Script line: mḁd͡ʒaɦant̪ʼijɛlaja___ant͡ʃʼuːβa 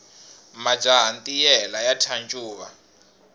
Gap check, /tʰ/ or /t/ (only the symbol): tʰ